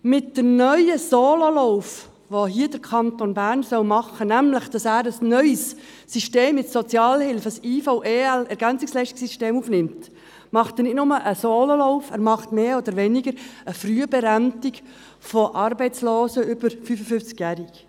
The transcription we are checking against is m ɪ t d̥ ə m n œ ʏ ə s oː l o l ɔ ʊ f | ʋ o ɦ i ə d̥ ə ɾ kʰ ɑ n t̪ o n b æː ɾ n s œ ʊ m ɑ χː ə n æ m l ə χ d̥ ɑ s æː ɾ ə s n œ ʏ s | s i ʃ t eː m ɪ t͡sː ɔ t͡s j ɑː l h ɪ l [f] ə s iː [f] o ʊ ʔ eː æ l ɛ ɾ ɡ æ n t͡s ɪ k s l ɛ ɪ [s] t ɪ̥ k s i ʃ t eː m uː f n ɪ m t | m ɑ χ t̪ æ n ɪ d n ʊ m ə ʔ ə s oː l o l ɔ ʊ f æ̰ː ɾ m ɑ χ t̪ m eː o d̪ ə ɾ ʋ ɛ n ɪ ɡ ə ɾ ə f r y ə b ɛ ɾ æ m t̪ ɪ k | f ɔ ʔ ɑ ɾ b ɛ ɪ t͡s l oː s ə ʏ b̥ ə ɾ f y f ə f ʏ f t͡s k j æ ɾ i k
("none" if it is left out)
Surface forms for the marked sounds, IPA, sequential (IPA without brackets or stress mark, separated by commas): f, f, ʃ